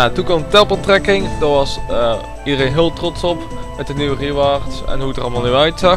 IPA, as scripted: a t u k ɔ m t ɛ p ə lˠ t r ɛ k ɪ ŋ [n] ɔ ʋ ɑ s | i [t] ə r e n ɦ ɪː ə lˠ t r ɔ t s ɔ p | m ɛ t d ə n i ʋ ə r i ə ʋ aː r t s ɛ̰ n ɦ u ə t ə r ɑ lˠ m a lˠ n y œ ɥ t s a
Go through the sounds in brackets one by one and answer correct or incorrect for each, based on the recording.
incorrect: d, incorrect: d

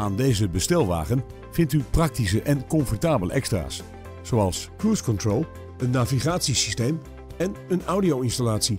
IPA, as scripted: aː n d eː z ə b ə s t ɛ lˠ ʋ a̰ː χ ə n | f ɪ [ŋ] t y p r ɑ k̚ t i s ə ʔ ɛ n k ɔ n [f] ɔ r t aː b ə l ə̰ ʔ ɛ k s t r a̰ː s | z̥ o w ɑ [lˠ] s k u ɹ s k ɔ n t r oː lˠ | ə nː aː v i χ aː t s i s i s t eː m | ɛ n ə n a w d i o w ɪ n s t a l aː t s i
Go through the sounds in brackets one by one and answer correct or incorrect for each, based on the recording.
incorrect: n, correct, correct

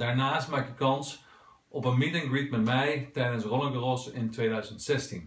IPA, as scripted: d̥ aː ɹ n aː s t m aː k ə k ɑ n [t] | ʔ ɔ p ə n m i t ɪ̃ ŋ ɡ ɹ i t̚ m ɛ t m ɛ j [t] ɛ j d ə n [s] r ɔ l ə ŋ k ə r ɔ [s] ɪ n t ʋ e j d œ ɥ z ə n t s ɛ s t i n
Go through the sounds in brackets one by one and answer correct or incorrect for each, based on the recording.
incorrect: s, correct, correct, correct

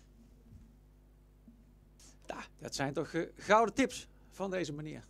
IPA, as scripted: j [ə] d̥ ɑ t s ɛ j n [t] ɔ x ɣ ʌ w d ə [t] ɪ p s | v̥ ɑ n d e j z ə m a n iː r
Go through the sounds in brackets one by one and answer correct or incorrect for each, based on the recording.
incorrect: a, correct, correct

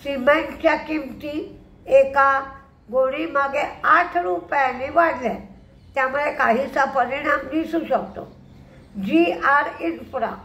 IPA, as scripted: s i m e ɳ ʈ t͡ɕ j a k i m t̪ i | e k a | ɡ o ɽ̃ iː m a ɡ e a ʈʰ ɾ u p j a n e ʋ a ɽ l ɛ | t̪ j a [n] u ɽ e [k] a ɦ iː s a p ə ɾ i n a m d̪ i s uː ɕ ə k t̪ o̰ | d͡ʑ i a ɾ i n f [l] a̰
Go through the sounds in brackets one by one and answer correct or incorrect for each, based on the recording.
incorrect: m, correct, incorrect: ɾ

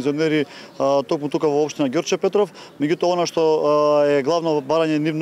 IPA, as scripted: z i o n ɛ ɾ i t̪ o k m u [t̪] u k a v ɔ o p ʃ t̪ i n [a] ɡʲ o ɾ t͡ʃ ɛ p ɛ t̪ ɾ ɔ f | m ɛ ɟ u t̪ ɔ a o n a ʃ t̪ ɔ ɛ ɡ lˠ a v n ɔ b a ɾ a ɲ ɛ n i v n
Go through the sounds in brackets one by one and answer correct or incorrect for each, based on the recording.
correct, correct

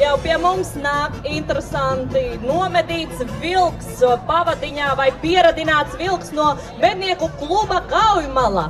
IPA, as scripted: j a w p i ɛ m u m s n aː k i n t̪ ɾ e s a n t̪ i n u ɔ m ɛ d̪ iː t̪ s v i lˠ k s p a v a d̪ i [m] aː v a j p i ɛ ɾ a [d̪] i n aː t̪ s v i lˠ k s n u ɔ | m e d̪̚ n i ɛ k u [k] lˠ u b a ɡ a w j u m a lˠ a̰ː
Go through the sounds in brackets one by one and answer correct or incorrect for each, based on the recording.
incorrect: ɲ, correct, correct

